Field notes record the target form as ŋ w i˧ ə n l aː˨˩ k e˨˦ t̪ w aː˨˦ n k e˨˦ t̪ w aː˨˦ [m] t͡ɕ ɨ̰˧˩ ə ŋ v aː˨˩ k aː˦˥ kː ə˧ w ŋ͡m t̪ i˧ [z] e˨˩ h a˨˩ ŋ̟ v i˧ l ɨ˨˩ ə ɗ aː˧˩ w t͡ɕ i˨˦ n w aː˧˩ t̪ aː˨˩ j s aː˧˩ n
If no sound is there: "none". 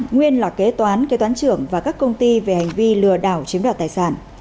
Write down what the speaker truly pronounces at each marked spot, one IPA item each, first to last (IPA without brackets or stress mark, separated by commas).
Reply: n, v